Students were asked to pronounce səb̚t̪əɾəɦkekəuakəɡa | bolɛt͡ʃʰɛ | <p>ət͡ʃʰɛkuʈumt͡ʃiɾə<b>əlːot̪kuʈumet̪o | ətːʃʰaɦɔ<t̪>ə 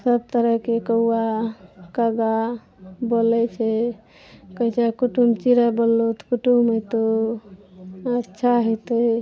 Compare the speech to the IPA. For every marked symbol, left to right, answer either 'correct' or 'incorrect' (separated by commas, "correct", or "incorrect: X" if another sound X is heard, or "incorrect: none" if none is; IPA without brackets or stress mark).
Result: incorrect: k, correct, correct